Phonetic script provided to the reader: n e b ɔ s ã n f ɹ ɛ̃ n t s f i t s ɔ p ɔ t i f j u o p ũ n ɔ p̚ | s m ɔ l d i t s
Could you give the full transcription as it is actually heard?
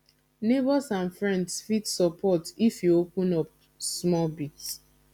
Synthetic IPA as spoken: n e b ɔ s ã n f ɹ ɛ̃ n d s f i t s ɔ p ɔ t i f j u o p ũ n ɔ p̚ | s m ɔ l b i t s

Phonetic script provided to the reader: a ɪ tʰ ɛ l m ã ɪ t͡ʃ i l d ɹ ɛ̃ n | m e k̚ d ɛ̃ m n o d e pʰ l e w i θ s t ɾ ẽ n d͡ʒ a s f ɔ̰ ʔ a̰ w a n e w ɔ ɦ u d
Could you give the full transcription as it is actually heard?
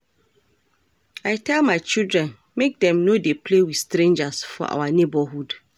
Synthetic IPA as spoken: a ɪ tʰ ɛ l m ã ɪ t͡ʃ i l d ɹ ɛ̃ n | m e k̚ d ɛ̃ m n o d e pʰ l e w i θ s t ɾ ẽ n d͡ʒ a s f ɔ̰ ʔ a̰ w a n e b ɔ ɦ u d

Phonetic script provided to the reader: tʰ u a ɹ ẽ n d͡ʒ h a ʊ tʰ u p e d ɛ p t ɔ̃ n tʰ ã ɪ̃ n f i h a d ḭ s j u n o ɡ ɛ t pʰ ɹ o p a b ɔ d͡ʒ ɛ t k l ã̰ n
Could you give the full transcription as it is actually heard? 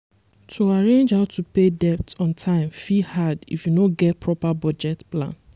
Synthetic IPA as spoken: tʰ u a ɹ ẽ n d͡ʒ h a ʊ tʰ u p e d ɛ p t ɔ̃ n tʰ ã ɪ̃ m f i h a d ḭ f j u n o ɡ ɛ t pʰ ɹ ɔ p a b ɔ d͡ʒ ɛ t p l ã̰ n

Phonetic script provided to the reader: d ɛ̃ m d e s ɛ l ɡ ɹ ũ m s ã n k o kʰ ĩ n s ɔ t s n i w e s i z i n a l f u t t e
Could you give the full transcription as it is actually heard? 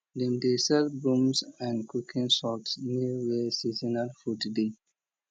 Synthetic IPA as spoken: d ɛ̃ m d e s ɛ l b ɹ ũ m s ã n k u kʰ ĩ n s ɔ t s n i w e s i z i n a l f u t d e

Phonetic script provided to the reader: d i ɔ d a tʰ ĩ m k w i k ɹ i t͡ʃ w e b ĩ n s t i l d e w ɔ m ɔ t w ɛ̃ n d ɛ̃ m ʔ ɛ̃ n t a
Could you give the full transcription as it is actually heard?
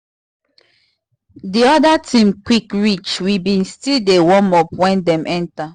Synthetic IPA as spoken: d i ɔ d a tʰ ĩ m k w i k ɹ i t͡ʃ w i b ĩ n s t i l d e w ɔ m ɔ p w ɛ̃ n d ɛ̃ m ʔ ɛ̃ n t a

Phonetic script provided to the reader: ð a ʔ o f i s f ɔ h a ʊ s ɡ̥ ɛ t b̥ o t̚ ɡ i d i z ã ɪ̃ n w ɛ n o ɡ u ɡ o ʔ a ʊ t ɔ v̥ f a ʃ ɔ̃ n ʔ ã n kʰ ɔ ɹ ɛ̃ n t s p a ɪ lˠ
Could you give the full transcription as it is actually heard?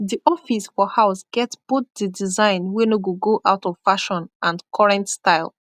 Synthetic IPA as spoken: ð i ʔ ɔ f i s f ɔ h a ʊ s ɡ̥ ɛ t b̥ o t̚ d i d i z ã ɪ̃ n w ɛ n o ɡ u ɡ o ʔ a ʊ t ɔ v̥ f a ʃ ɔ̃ n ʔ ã n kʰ ɔ ɹ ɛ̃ n t s t a ɪ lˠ

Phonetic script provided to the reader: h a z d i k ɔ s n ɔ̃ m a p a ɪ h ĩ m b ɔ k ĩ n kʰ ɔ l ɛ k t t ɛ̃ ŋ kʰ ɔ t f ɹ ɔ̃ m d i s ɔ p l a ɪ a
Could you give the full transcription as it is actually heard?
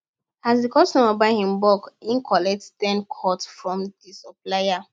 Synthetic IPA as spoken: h a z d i k ɔ s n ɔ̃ m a b a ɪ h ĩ m b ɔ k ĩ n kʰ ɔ l ɛ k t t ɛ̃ n kʰ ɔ t f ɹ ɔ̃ m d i s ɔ p l a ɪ a

